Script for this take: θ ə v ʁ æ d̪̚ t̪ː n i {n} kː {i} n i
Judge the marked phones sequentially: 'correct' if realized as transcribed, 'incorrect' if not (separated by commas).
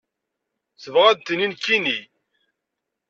correct, correct